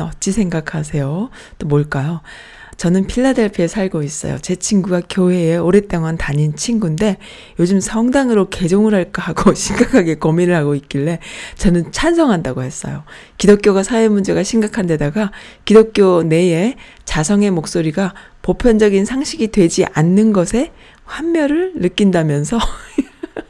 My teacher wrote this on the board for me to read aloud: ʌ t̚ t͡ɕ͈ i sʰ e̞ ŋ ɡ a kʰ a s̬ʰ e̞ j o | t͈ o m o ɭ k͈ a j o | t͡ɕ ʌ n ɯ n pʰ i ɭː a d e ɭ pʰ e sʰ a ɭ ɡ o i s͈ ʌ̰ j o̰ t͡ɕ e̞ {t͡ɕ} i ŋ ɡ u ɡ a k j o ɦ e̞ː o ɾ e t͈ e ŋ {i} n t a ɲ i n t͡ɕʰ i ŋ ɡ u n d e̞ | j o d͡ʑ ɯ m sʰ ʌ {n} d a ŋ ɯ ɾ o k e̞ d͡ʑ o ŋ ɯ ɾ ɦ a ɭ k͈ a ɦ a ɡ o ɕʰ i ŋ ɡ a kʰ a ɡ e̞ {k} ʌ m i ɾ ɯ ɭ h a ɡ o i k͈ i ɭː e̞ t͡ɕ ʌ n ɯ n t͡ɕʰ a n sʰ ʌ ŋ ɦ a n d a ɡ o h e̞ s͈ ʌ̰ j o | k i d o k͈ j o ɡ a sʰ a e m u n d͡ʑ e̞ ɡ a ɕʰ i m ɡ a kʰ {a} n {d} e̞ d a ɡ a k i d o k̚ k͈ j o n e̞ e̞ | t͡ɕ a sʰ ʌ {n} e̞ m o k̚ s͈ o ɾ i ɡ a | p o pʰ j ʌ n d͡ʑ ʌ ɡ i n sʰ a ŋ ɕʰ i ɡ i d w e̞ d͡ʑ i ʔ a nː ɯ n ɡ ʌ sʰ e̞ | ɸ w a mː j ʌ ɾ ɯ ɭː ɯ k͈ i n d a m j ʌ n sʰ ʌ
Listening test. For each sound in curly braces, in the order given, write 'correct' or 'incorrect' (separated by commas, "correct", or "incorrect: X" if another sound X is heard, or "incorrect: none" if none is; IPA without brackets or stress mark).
incorrect: t͡ɕʰ, incorrect: a, incorrect: ŋ, correct, correct, correct, incorrect: ŋ